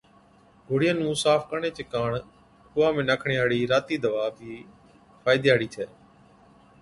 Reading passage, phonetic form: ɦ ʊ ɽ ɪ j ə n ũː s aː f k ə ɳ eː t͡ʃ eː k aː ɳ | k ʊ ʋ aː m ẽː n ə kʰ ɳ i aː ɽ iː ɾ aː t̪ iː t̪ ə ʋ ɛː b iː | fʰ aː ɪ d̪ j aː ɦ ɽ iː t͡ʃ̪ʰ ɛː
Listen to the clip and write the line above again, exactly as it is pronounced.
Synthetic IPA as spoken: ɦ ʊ ɽ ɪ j ə n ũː s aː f k ə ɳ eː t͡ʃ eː k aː ɳ | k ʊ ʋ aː m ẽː n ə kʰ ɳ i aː ɽ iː ɾ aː t̪ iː d̪ ə ʋ aː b iː | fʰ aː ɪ d̪ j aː ɽ iː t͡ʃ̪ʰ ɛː